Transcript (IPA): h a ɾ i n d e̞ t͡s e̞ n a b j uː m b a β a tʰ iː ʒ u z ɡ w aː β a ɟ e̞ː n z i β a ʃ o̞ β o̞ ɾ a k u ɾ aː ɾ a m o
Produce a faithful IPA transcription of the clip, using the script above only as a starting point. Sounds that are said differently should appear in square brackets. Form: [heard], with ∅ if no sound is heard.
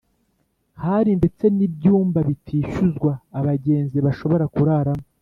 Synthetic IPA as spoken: h a ɾ i n d e̞ t͡s e̞ n [i] b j uː m b a β [i] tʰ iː [ʃ] u z ɡ w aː β a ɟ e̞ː n z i β a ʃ o̞ β o̞ ɾ a k u ɾ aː ɾ a m o